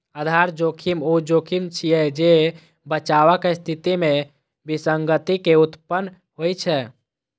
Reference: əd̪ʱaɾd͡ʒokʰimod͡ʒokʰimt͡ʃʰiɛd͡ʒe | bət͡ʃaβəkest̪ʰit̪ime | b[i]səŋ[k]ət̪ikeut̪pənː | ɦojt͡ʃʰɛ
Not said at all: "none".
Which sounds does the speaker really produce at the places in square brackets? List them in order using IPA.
i, ɡ

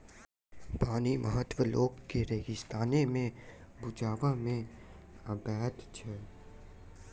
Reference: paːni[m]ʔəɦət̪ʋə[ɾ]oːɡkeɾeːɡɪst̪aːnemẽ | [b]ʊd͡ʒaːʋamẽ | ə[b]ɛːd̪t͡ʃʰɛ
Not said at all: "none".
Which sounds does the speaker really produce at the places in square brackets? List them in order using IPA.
m, l, b, b

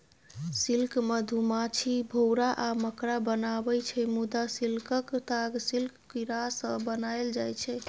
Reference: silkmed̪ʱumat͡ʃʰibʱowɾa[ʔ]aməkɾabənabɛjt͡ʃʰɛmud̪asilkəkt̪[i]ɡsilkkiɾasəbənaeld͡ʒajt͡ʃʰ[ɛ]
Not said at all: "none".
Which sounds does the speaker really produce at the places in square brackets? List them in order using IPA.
ʔ, a, ɛ

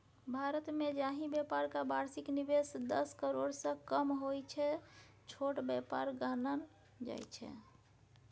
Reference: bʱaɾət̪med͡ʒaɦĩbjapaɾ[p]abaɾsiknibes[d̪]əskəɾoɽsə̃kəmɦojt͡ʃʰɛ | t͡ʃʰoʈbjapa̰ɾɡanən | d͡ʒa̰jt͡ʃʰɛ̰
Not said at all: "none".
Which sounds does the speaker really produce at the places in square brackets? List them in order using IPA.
k, d̪

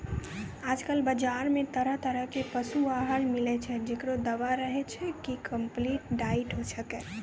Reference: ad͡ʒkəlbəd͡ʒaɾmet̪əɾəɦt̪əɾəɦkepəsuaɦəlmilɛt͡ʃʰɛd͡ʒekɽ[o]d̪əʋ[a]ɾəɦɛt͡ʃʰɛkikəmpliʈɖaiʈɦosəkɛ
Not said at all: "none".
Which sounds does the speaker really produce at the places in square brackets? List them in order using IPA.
o, a

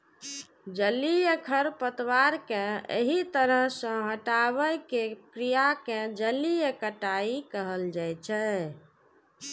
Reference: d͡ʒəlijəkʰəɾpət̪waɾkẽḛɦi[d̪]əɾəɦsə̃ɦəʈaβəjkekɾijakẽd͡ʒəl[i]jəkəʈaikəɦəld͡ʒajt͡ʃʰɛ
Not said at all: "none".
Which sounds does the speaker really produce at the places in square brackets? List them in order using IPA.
t̪, i

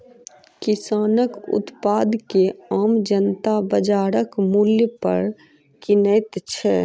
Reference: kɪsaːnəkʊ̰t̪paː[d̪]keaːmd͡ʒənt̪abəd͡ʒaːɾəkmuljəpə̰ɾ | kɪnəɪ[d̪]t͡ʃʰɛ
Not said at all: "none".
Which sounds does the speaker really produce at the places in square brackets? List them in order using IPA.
d̪, t̪

